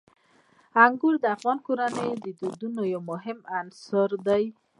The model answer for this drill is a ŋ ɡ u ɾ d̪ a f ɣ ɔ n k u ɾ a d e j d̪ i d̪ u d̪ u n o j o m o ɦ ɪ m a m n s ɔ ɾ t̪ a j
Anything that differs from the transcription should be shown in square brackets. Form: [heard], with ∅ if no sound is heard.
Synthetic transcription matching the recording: a ŋ ɡ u ɾ d̪ a f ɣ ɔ n k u ɾ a [n] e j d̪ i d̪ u d̪ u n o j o m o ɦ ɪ m a [∅] n s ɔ ɾ [d̪] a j